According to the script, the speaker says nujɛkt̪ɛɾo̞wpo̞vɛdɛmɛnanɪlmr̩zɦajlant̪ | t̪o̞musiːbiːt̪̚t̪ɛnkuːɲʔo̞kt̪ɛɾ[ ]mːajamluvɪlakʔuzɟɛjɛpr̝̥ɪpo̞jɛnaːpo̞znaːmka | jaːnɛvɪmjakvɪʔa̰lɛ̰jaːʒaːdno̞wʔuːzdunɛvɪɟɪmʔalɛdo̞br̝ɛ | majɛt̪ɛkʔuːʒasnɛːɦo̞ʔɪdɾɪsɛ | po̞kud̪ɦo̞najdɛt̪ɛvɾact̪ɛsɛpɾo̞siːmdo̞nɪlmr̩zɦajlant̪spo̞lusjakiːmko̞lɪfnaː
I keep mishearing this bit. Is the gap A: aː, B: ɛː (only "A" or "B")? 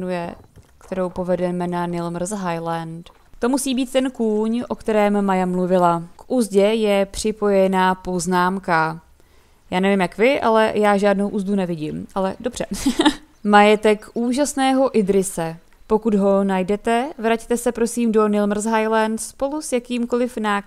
B